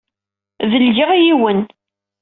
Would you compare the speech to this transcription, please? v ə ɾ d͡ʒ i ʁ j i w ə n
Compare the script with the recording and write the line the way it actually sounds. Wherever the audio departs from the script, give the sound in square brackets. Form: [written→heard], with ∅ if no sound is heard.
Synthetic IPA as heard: v ə [ɾ→l] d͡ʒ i ʁ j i w ə n